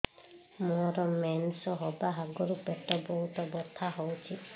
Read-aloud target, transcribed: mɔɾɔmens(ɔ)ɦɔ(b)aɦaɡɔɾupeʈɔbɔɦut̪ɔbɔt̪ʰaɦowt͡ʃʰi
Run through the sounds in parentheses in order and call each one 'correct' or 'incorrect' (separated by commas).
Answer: correct, correct